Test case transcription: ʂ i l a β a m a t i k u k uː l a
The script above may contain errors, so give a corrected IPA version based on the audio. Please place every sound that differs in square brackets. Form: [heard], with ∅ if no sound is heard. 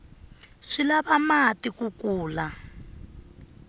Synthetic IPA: ʂ i l a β a m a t i k u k uː l a